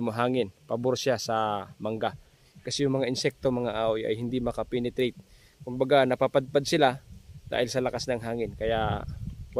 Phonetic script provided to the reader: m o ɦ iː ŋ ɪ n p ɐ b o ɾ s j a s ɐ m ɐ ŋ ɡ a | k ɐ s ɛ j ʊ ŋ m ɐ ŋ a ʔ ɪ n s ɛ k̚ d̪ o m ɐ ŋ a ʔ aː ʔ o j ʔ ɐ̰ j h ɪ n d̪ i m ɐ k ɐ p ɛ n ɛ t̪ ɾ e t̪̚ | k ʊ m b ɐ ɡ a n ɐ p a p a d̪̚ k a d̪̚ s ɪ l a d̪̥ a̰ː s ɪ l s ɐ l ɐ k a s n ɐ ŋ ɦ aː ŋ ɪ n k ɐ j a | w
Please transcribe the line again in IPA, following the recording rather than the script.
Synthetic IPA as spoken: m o ɦ aː ŋ ɪ n p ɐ b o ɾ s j a s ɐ m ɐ ŋ ɡ a | k ɐ s ɛ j ʊ ŋ m ɐ ŋ a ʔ ɪ n s ɛ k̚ t̪ o m ɐ ŋ a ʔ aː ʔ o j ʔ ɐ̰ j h ɪ n d̪ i m ɐ k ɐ p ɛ n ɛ t̪ ɾ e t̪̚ | k ʊ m b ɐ ɡ a n ɐ p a p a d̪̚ p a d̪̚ s ɪ l a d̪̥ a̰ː h ɪ l s ɐ l ɐ k a s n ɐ ŋ ɦ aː ŋ ɪ n k ɐ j a | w